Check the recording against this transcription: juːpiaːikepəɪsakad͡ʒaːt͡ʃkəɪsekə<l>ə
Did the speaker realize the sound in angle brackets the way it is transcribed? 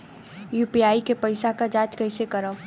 no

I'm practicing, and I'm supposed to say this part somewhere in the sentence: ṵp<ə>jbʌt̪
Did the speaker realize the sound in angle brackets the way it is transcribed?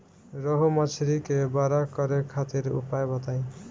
no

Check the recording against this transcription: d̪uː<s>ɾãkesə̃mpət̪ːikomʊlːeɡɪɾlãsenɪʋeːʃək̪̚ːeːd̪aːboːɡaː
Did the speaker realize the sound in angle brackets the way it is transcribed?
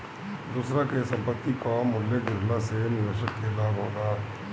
yes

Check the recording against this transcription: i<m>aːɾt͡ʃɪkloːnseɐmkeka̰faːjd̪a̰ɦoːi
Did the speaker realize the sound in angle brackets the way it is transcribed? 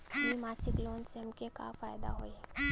yes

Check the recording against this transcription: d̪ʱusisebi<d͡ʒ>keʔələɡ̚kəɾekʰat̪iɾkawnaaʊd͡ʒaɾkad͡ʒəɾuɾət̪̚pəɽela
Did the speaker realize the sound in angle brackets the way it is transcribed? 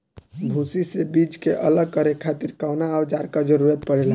yes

